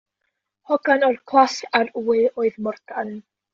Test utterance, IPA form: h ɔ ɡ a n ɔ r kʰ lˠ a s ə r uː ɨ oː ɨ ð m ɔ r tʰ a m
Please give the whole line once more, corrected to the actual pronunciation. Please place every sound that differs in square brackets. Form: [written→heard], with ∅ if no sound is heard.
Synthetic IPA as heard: h ɔ ɡ a n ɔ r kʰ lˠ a s [ə→a] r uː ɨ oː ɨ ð m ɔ r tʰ a [m→n]